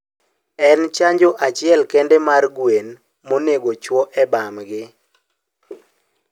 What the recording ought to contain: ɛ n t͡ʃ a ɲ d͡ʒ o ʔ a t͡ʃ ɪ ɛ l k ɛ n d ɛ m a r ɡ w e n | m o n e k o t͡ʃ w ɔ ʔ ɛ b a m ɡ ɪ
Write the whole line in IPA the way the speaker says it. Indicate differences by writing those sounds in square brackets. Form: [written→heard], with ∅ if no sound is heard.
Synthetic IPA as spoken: ɛ n t͡ʃ a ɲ d͡ʒ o ʔ a t͡ʃ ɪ ɛ l k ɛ n d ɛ m a r ɡ w e n | m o n e [k→ɡ] o t͡ʃ w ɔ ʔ ɛ b a m ɡ ɪ

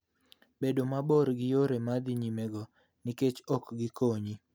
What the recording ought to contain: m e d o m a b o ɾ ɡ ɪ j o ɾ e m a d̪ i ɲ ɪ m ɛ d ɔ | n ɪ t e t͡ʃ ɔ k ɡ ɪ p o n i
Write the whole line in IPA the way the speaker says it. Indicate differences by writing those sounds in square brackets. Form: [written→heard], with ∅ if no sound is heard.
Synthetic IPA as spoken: [m→b] e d o m a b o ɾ ɡ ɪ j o ɾ e m a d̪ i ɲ [ɪ→i] m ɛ [d→ɡ] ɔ | n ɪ [t→k] e t͡ʃ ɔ k ɡ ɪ [p→k] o [n→ɲ] i

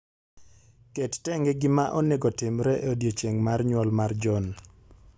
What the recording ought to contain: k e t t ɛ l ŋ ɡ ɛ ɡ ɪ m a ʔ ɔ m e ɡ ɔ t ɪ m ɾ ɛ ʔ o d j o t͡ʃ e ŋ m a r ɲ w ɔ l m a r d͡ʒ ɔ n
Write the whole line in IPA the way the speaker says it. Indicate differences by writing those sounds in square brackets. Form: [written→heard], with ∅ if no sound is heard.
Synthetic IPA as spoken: k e t t ɛ [l→∅] ŋ ɡ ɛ ɡ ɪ m a ʔ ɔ [m→n] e ɡ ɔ t ɪ m ɾ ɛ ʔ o d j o t͡ʃ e ŋ m a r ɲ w ɔ l m a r d͡ʒ ɔ n

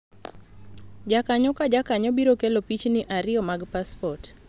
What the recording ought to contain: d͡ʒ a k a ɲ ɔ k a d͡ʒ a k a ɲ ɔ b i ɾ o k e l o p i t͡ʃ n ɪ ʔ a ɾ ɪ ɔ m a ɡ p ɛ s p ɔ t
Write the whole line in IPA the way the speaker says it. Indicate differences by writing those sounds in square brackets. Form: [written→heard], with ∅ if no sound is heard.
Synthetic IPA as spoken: d͡ʒ a k a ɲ ɔ k a d͡ʒ a k a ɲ ɔ b i ɾ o k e l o p i t͡ʃ n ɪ ʔ a ɾ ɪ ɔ m a ɡ p [ɛ→a] s p ɔ t

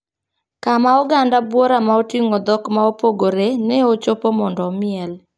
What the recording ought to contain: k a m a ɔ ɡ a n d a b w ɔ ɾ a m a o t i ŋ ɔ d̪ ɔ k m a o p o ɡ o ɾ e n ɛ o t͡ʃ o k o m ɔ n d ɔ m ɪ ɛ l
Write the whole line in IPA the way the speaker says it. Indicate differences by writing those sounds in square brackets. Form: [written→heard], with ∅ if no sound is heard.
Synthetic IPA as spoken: k a m a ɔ ɡ a n d a b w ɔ ɾ a m a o t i ŋ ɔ d̪ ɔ k m a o p o ɡ o ɾ e n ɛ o t͡ʃ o [k→p] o m ɔ n d ɔ m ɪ ɛ l

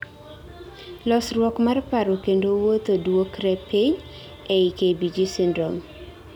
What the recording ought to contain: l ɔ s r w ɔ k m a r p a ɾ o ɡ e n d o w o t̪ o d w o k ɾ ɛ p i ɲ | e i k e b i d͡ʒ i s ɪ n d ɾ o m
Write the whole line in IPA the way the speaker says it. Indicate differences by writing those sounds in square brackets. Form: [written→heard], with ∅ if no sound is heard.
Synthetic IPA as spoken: l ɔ s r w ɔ k m a r p a ɾ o [ɡ→k] e n d o w o t̪ o d w o k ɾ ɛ p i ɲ | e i k e b i d͡ʒ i s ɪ n d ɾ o m

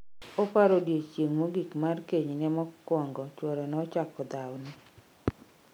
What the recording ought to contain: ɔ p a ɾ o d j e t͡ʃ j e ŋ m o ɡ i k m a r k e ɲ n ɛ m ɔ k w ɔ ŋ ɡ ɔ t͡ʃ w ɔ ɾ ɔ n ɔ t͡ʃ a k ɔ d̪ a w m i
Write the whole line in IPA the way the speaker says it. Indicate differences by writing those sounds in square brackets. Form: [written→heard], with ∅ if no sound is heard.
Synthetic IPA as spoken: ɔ p a ɾ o d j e t͡ʃ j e ŋ m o ɡ i k m a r k e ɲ n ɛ m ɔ k w ɔ ŋ ɡ ɔ t͡ʃ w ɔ ɾ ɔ n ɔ t͡ʃ a k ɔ d̪ a w [m→n] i

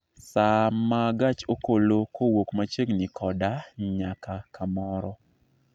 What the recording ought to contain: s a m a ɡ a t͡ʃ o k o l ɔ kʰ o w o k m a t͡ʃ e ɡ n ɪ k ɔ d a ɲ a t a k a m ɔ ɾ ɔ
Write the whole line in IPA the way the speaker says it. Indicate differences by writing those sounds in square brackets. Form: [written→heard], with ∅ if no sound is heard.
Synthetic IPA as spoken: s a m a ɡ a t͡ʃ o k o l [ɔ→o] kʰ o w o k m a t͡ʃ e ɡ n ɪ k ɔ d a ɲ a [t→k] a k a m ɔ ɾ ɔ

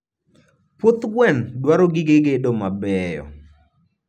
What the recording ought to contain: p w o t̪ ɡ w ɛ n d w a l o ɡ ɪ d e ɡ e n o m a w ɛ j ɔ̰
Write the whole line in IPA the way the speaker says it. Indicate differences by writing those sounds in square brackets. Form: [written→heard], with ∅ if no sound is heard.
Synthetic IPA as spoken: p w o t̪ ɡ w ɛ n d w a [l→ɾ] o ɡ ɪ [d→ɡ] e ɡ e [n→d] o m a [w→b] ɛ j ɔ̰

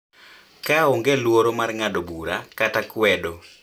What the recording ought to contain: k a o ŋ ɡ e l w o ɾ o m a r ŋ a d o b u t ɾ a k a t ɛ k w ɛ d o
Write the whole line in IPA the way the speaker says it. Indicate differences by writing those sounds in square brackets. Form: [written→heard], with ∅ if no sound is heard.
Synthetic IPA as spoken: k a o ŋ ɡ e l w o ɾ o m a r ŋ a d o b u [t→∅] ɾ a k a t [ɛ→a] k w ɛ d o

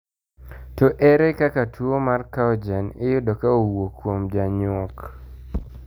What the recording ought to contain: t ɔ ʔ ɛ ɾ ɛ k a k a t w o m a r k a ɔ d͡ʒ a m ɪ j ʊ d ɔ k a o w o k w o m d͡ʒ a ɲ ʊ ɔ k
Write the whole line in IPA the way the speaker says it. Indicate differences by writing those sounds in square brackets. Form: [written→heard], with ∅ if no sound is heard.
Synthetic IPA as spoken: t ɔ ʔ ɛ ɾ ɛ k a k a t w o m a r k a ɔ d͡ʒ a [m→n] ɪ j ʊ d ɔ k a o w o k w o m d͡ʒ a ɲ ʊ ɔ k

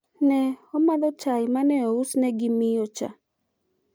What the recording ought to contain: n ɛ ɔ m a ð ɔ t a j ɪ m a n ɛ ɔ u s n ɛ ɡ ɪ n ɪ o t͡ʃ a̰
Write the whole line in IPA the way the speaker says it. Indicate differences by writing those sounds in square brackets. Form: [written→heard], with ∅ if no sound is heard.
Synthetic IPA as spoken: n ɛ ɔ m a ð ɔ [t→t͡ʃ] a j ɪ m a n ɛ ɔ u s n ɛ ɡ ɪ [n→m] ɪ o t͡ʃ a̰

